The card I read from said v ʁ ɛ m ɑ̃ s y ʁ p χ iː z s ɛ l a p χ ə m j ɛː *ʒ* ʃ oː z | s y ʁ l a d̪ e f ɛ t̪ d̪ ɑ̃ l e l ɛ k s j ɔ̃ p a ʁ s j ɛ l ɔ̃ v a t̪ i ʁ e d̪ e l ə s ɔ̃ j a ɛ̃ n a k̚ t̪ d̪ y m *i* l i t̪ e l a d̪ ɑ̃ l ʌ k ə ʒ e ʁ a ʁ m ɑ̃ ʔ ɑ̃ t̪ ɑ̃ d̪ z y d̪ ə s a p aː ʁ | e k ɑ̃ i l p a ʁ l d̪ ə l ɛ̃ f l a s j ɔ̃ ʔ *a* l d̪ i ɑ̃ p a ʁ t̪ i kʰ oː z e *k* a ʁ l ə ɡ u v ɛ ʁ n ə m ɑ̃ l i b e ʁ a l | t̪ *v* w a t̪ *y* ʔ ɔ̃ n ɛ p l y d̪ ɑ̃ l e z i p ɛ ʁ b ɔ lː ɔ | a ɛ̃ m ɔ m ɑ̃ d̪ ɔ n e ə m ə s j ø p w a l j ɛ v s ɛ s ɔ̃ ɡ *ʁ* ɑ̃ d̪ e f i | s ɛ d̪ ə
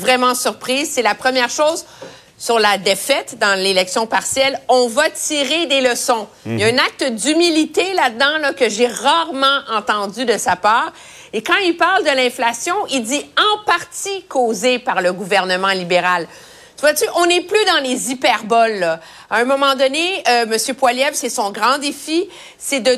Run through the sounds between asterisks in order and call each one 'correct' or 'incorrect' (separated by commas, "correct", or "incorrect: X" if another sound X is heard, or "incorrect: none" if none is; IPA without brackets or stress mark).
incorrect: ʁ, correct, incorrect: i, incorrect: p, correct, correct, correct